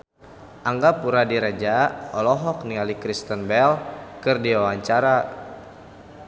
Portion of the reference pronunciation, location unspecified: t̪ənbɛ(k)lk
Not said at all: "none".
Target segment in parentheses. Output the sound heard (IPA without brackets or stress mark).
none